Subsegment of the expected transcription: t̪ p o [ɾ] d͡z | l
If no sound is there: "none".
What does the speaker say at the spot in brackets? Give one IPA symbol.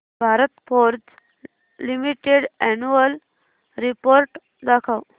ɾ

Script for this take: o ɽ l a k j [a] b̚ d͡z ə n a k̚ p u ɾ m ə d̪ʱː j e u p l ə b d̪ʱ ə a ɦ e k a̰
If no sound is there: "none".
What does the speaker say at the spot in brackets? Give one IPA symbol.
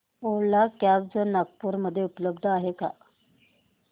a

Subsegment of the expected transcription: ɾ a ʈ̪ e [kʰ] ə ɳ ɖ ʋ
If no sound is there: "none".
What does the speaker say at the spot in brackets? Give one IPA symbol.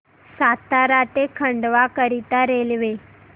kʰ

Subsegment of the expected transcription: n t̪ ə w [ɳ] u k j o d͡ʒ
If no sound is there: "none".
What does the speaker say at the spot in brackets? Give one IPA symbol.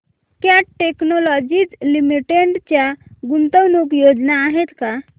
n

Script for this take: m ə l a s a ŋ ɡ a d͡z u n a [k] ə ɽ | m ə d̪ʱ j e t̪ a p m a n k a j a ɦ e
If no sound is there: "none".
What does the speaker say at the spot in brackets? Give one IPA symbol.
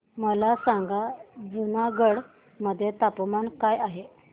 ɡ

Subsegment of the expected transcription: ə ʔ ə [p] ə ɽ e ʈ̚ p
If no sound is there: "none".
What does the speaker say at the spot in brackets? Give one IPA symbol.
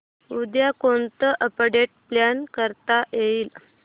p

